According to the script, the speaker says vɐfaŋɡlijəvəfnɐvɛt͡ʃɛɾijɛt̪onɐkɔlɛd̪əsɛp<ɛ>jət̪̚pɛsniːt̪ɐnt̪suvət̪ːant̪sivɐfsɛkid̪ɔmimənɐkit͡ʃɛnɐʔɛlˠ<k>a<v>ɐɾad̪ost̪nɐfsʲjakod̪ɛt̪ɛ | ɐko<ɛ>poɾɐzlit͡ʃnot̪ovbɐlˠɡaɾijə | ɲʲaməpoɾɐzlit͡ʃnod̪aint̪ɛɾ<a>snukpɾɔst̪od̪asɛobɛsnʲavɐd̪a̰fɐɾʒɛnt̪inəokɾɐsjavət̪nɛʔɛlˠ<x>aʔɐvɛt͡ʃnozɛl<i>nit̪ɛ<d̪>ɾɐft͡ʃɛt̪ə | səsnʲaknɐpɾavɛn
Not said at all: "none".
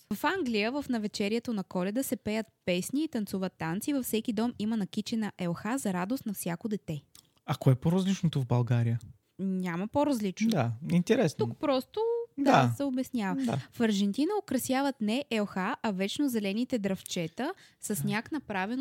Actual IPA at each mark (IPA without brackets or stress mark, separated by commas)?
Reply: ɛ, x, z, ɛ, ɛ, x, ɛ, d̪